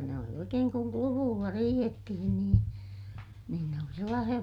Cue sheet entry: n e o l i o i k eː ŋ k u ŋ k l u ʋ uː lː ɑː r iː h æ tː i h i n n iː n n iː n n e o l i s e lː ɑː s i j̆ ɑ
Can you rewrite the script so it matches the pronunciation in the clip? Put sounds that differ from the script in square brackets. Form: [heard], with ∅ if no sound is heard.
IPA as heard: n e o l i o i k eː ŋ k u ŋ k l u ʋ uː lː [ɑ] r iː h [e] tː i h i n n iː n n iː n n e o l i s e lː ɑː s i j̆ ɑ